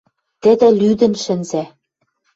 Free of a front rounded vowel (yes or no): no